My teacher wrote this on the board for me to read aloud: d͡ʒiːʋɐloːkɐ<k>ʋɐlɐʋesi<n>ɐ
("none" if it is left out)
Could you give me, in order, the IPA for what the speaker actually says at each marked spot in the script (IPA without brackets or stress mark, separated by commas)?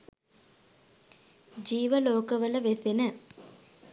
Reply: none, n